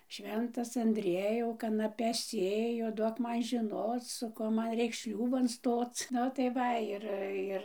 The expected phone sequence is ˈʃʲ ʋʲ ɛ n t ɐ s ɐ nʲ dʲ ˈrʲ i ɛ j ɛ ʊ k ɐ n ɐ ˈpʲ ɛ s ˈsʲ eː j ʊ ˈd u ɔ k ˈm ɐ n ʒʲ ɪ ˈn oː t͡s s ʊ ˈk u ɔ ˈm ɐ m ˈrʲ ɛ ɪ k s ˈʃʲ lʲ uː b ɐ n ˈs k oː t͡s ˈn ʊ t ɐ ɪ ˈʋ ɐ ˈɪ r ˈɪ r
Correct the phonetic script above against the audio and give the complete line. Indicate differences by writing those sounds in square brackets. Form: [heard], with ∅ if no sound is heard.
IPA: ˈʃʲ ʋʲ ɛ n t ɐ s ɐ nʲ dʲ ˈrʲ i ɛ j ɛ ʊ k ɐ n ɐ ˈpʲ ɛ s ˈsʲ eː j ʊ ˈd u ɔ k ˈm ɐ n ʒʲ ɪ ˈn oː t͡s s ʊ ˈk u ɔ ˈm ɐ [n] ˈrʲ ɛ ɪ k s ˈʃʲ lʲ uː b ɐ n ˈs [t] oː t͡s ˈn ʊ t ɐ ɪ ˈʋ ɐ ˈɪ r ˈɪ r